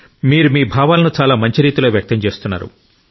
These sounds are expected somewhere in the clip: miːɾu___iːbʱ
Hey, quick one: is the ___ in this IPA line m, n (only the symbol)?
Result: m